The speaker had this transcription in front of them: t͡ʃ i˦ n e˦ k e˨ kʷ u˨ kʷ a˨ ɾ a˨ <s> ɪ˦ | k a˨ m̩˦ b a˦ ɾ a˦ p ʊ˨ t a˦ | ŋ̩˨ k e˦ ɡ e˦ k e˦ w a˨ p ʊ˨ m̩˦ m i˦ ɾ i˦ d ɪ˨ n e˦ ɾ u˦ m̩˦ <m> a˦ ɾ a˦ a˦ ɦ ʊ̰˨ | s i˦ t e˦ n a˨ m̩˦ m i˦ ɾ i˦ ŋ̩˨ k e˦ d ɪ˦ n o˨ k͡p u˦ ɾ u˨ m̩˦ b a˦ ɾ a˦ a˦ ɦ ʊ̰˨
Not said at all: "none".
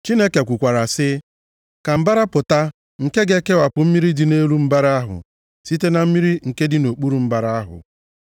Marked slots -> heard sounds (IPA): s, b

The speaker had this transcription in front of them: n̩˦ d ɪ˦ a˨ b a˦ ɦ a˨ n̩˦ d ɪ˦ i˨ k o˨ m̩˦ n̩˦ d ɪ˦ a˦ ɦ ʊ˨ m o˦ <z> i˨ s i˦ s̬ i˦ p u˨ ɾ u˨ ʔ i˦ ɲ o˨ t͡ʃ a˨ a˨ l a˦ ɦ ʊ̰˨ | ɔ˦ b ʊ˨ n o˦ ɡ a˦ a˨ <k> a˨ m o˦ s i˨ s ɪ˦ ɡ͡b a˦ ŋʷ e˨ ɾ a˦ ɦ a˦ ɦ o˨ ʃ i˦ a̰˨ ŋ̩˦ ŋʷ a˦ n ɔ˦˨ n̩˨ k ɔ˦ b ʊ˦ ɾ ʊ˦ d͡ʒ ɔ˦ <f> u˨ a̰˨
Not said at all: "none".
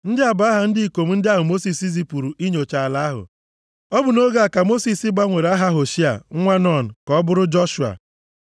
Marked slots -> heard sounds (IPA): s, k, ʃ

